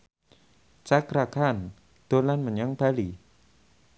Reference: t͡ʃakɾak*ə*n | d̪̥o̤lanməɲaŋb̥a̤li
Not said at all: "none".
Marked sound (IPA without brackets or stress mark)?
a